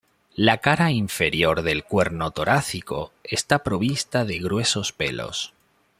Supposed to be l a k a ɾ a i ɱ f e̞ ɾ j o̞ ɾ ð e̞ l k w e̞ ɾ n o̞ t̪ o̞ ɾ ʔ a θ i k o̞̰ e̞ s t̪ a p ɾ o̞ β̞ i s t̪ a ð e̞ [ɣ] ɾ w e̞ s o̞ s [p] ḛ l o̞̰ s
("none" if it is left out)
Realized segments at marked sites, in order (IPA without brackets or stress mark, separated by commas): ɣ, p